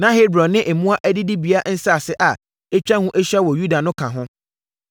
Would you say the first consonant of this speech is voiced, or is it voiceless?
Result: voiced